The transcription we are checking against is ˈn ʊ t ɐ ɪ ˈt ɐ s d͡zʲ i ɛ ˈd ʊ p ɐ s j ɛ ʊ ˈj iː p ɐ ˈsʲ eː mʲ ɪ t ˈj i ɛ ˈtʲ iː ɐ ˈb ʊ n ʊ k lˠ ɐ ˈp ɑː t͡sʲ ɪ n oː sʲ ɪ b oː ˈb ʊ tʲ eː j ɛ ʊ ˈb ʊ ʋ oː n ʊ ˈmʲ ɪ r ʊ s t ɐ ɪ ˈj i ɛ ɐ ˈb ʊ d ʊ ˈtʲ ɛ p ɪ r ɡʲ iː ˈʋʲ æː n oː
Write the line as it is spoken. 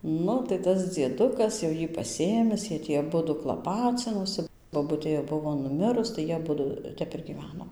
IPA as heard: ˈn ʊ t ɐ ɪ ˈt ɐ s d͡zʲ i ɛ ˈd ʊ k ɐ s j ɛ ʊ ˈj iː p ɐ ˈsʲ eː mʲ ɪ s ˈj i ɛ ˈtʲ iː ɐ ˈb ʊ d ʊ k lˠ ɐ ˈp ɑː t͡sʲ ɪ n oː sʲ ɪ b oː ˈb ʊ tʲ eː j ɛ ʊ ˈb ʊ ʋ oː n ʊ ˈmʲ ɪ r ʊ s t ɐ ɪ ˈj i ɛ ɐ ˈb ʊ d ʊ ˈtʲ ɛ p ɪ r ɡʲ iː ˈʋʲ æː n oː